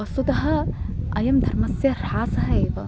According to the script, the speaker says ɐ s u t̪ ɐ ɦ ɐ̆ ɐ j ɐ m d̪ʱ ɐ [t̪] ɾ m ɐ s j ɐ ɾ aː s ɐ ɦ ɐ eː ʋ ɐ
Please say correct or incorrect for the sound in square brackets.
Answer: incorrect